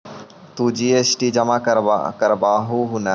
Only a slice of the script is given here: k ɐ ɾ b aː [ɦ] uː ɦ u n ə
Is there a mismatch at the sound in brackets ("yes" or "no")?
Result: no